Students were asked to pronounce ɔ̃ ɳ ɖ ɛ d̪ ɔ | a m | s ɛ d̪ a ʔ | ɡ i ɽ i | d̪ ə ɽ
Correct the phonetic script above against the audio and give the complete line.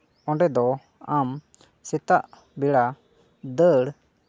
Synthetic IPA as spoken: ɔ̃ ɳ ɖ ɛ d̪ ɔ | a m | s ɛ t̪ a ʔ | b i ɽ a | d̪ ə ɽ